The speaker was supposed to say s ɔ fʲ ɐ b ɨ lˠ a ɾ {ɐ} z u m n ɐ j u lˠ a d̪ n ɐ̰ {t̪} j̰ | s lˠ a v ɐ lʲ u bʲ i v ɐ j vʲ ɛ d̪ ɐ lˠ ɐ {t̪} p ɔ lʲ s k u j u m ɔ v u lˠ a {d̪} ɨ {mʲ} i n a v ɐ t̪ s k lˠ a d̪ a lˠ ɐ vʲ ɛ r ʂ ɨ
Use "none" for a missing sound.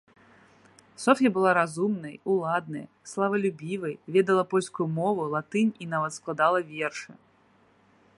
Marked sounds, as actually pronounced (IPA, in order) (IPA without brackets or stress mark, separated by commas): a, none, none, t̪, nʲ